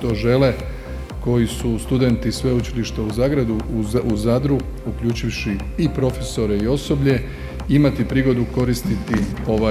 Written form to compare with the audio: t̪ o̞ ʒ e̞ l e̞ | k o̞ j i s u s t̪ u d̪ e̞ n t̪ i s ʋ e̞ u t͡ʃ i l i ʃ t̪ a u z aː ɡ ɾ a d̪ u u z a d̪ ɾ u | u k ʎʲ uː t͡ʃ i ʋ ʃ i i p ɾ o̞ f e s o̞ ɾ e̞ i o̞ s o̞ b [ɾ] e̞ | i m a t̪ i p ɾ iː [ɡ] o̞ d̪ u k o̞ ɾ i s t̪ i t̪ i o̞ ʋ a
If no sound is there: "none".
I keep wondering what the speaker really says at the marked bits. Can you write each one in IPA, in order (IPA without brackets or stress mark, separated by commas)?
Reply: ʎ, ɡ